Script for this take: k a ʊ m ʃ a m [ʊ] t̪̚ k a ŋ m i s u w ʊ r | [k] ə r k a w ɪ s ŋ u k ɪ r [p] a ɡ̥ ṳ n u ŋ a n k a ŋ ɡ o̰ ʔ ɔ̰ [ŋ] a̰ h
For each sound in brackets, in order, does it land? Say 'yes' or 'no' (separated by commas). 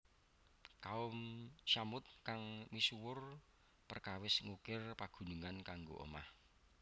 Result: yes, no, yes, no